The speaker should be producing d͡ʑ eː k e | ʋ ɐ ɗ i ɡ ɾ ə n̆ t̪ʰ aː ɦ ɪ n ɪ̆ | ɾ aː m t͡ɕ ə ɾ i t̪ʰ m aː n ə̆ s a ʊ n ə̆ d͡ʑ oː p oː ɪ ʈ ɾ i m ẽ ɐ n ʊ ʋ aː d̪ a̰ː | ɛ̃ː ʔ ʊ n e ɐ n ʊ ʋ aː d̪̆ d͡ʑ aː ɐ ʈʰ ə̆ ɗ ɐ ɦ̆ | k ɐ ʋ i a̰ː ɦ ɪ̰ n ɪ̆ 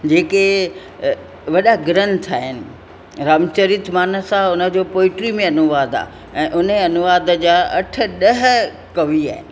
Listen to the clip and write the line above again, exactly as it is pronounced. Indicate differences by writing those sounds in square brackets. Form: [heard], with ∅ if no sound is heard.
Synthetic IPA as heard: d͡ʑ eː k e | ʋ ɐ ɗ [a] ɡ ɾ ə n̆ t̪ʰ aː ɦ ɪ n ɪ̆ | ɾ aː m t͡ɕ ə ɾ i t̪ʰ m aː n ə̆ s a ʊ n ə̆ d͡ʑ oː p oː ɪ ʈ ɾ i m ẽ ɐ n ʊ ʋ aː d̪ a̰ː | ɛ̃ː ʔ ʊ n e ɐ n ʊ ʋ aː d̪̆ d͡ʑ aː ɐ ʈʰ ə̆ ɗ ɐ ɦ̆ | k ɐ ʋ i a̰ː ɦ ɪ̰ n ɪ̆